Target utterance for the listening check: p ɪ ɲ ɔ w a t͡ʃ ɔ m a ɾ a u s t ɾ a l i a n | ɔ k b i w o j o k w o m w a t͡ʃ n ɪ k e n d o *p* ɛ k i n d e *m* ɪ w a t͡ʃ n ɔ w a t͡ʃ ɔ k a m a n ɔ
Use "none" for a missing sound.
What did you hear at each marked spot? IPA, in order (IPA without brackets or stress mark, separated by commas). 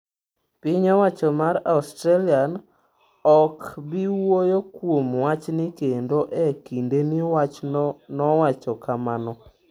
ʔ, n